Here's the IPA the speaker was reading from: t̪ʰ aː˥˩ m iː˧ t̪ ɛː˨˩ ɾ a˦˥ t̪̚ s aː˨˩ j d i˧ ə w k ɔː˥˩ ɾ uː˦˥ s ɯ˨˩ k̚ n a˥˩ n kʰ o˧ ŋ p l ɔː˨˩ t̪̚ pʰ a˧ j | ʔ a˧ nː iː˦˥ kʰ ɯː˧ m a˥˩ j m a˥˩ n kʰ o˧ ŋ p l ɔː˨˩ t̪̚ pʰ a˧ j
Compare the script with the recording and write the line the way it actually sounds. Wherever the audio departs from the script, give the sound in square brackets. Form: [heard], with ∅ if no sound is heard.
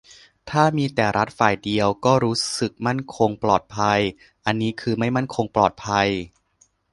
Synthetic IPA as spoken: t̪ʰ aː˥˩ m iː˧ t̪ ɛː˨˩ ɾ a˦˥ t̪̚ [f] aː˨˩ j d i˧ ə w k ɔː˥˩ ɾ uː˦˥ s ɯ˨˩ k̚ [m] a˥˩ n kʰ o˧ ŋ p l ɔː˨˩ t̪̚ pʰ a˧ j | ʔ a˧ nː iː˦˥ kʰ ɯː˧ m a˥˩ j m a˥˩ n kʰ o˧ ŋ p l ɔː˨˩ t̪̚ pʰ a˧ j